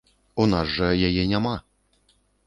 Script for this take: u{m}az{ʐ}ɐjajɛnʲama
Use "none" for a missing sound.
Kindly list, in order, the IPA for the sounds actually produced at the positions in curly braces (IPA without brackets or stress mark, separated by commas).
n, ʐ